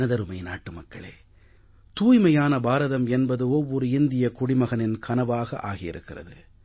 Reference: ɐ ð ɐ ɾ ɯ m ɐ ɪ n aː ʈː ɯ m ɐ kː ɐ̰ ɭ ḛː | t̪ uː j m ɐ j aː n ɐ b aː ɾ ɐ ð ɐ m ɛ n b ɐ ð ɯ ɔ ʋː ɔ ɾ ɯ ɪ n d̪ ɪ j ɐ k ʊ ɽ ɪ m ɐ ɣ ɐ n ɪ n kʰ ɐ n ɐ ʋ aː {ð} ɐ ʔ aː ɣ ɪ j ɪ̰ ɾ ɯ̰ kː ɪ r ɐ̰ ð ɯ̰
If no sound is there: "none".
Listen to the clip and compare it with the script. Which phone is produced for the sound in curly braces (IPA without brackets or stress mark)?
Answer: ɣ